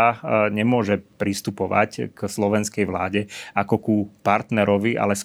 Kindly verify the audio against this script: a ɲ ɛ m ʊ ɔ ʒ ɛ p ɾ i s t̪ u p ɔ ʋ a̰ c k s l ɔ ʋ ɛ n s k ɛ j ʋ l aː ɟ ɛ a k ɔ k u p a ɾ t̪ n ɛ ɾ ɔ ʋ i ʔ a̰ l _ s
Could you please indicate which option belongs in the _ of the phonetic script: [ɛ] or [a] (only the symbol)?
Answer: ɛ